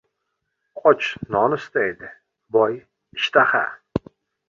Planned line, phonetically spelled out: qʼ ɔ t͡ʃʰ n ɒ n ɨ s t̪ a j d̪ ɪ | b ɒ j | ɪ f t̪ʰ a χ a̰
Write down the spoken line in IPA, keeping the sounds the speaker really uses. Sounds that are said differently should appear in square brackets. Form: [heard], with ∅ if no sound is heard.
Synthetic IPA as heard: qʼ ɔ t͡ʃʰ n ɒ n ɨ s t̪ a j d̪ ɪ | b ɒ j | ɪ [ʃ] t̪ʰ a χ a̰